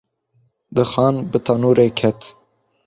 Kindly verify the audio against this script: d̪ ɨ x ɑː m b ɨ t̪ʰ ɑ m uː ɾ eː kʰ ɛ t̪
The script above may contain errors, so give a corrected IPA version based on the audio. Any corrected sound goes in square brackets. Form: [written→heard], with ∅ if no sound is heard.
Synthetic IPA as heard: d̪ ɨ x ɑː [m→n] b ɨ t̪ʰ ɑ [m→n] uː ɾ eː kʰ ɛ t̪